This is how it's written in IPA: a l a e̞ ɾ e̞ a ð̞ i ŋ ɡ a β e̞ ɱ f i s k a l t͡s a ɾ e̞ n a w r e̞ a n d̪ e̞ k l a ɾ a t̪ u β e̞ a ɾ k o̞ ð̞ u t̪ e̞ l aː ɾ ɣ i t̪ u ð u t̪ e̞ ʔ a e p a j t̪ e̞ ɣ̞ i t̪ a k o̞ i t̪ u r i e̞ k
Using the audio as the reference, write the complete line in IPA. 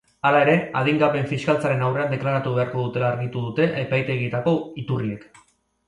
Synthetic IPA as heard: a l a e̞ ɾ e̞ a ð̞ i ŋ ɡ a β e̞ ɱ f i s k a l t͡s a ɾ e̞ n a w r e̞ a n d̪ e̞ k l a ɾ a t̪ u β e̞ a ɾ k o̞ ð̞ u t̪ e̞ l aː ɾ ɣ i t̪ u ð u t̪ e̞ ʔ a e p a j t̪ e̞ ɣ̞ i t̪ a k o̞ i t̪ u r i e̞ k

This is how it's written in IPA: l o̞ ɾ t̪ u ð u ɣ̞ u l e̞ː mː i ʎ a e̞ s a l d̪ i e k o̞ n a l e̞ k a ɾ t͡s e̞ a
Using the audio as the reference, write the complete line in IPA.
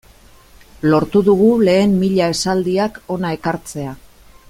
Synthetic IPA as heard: l o̞ ɾ t̪ u ð u ɣ̞ u l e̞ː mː i ʎ a e̞ s a l d̪ i a k o̞ n a e̞ k a ɾ t͡s e̞ a

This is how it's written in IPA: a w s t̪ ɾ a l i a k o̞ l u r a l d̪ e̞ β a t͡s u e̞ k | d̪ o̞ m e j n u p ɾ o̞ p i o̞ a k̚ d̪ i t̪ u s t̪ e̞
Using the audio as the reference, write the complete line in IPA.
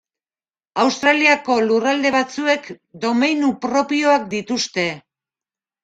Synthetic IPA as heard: a w s t̪ ɾ a l i a k o̞ l u r a l d̪ e̞ β a t͡s u e̞ k | d̪ o̞ m e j n u p ɾ o̞ p i o̞ a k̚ d̪ i t̪ u s t̪ e̞

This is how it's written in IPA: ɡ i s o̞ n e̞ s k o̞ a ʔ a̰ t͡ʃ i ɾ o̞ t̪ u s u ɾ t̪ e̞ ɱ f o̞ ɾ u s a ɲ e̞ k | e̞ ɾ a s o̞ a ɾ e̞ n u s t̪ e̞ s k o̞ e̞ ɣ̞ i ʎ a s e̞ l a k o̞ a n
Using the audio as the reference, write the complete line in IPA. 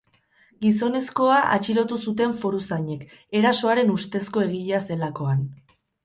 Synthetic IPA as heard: ɡ i s o̞ n e̞ s k o̞ a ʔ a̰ t͡ʃ i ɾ o̞ t̪ u s u t̪ e̞ ɱ f o̞ ɾ u s a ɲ e̞ k | e̞ ɾ a s o̞ a ɾ e̞ n u s t̪ e̞ s k o̞ e̞ ɣ̞ i ʎ a s e̞ l a k o̞ a n

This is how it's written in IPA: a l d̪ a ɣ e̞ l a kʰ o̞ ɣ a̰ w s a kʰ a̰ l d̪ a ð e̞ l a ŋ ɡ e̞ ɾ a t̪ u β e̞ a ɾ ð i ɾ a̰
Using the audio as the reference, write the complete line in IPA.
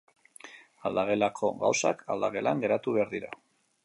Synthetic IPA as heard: a l d̪ a ɣ e̞ l a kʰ o̞ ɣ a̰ w s a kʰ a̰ l d̪ a ɣ e̞ l a ŋ ɡ e̞ ɾ a t̪ u β e̞ a ɾ ð i ɾ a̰

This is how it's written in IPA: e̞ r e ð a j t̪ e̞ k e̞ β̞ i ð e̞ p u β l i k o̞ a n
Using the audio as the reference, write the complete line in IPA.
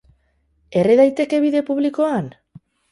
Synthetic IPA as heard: e̞ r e ð a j t̪ e̞ k e̞ β̞ i ð e̞ p u β l i k o̞ a n

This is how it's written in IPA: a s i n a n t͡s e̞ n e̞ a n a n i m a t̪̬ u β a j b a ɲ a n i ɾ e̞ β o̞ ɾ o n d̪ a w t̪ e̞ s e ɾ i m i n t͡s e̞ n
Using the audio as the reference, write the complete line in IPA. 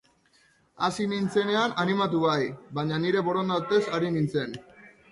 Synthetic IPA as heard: a s i n i n t͡s e̞ n e̞ a n a n i m a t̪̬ u β a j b a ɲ a n i ɾ e̞ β o̞ ɾ o n d̪ a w t̪ e̞ s a ɾ i n i n t͡s e̞ n

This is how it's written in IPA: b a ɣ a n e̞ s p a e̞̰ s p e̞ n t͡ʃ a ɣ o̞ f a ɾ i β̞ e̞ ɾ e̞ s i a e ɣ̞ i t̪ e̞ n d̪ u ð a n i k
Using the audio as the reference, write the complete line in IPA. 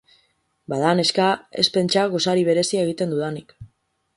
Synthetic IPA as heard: b a ð a n e̞ s k a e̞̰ s p e̞ n t͡ʃ a ɣ o̞ s a ɾ i β̞ e̞ ɾ e̞ s i a e ɣ̞ i t̪ e̞ n d̪ u ð a n i k

